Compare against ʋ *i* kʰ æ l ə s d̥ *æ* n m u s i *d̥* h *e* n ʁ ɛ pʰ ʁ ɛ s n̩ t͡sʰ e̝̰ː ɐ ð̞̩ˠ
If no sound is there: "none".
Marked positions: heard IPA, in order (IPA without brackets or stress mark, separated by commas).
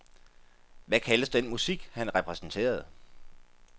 æ, e, ɡ̥, æ